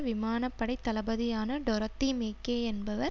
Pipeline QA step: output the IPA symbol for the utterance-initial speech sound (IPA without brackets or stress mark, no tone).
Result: ʋ